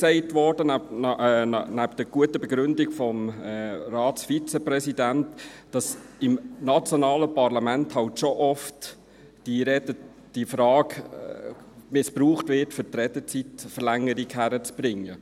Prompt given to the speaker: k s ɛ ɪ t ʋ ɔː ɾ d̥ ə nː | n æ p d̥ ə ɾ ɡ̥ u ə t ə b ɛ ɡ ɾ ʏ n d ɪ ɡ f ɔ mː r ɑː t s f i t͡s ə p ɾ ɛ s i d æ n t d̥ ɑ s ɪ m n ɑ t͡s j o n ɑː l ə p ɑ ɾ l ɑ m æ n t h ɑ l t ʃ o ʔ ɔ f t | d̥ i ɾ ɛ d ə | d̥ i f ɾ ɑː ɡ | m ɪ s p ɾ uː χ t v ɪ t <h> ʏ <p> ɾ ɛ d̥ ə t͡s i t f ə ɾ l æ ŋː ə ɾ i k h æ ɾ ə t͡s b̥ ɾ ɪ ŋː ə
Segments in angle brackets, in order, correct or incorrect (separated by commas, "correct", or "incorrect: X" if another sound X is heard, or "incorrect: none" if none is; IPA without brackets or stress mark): incorrect: f, incorrect: t